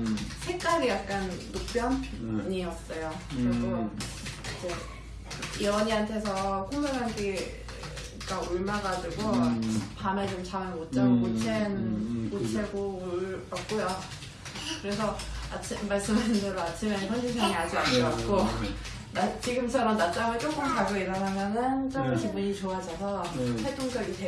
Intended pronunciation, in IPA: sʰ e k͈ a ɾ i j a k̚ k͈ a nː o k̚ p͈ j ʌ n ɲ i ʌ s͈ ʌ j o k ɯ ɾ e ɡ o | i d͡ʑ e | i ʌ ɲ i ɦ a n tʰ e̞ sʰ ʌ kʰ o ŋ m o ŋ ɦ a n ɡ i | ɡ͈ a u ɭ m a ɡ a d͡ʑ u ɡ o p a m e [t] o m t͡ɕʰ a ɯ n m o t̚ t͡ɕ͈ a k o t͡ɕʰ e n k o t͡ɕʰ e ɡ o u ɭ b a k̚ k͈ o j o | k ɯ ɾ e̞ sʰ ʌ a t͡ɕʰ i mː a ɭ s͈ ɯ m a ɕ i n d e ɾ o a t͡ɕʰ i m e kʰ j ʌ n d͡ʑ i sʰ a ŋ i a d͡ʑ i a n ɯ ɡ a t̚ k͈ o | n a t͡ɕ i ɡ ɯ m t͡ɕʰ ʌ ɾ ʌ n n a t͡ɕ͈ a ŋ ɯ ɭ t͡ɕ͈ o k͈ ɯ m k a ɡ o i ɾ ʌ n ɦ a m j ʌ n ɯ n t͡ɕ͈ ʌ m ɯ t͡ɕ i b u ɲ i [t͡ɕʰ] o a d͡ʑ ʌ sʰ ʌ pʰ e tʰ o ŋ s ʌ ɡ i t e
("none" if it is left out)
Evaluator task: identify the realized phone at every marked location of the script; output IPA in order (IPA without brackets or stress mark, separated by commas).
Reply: t͡ɕ, t͡ɕ